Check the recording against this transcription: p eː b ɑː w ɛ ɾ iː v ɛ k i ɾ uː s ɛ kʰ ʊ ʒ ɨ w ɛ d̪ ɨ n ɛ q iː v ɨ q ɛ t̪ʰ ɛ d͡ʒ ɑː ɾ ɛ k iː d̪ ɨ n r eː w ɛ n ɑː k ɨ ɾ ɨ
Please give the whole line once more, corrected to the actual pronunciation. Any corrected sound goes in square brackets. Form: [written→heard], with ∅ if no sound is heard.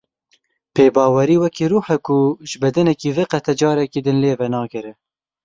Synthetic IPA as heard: p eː b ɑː w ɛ ɾ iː [v→w] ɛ k i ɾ uː [s→ħ] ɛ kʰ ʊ ʒ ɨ [w→b] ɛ d̪ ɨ n ɛ [q→k] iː v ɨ q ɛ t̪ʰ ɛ d͡ʒ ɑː ɾ ɛ k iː d̪ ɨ n [r→l] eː [w→v] ɛ n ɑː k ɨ ɾ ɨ